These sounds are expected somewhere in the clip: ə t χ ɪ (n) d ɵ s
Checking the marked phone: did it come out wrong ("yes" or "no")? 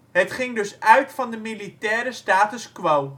yes